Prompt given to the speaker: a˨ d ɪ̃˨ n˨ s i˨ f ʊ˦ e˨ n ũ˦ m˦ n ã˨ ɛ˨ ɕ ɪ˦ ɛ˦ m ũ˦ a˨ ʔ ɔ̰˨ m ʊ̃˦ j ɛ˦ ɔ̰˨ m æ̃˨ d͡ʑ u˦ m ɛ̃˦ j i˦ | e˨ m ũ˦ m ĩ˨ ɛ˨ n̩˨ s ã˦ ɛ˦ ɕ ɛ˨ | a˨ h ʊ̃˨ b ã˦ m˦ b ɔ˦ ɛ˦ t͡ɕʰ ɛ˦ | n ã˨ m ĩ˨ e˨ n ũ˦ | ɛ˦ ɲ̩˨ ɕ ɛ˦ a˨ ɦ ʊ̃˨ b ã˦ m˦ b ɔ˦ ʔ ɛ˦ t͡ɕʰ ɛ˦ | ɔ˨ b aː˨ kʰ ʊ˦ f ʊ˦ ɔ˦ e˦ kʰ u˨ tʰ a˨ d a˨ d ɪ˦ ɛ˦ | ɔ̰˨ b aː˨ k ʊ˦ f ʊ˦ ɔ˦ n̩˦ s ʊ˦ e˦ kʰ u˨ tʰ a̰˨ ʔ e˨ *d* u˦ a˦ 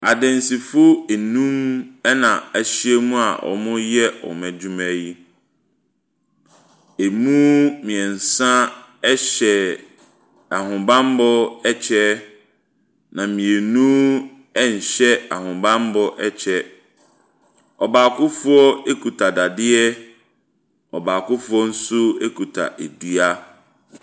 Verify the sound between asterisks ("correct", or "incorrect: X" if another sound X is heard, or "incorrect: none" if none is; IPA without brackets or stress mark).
correct